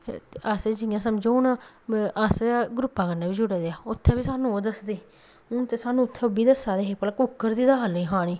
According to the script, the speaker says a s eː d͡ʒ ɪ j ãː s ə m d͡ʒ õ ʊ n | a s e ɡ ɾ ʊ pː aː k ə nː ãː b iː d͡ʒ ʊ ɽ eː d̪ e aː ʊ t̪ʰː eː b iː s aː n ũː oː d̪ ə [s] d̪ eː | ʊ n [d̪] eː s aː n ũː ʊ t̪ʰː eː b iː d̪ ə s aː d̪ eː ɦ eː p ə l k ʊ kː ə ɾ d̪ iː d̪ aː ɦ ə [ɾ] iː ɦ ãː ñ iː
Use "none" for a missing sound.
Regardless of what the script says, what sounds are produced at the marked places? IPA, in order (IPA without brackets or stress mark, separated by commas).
s, t̪, l